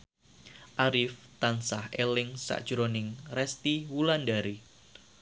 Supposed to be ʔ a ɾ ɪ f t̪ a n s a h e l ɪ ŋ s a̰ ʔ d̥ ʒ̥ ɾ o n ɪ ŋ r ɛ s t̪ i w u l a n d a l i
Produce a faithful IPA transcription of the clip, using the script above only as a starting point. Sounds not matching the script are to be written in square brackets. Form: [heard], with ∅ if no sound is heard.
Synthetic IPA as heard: ʔ a ɾ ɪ f t̪ a n s a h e l ɪ ŋ s a̰ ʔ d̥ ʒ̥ ɾ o n ɪ ŋ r ɛ s t̪ i w u l a n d a [ɾ] i